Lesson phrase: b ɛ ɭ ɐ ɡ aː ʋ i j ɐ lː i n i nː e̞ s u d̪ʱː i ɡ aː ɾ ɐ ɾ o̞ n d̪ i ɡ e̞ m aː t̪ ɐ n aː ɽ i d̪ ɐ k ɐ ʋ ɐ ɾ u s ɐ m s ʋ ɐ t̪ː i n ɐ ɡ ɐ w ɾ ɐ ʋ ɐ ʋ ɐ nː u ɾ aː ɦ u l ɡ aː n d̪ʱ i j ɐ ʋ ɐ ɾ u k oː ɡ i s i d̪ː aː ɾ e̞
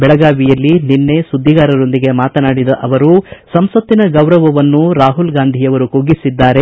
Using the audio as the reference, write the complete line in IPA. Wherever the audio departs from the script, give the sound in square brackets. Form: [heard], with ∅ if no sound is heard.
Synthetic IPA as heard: b ɛ ɭ ɐ ɡ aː ʋ i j ɐ lː i n i nː e̞ s u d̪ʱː i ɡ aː ɾ ɐ ɾ o̞ n d̪ i ɡ e̞ m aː t̪ ɐ n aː ɽ i d̪ ɐ [ʔ] ɐ ʋ ɐ ɾ u s ɐ m s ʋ ɐ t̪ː i n ɐ ɡ ɐ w ɾ ɐ ʋ ɐ ʋ ɐ nː u ɾ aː ɦ u l ɡ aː n d̪ʱ i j ɐ ʋ ɐ ɾ u k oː ɡ i s i d̪ː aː ɾ e̞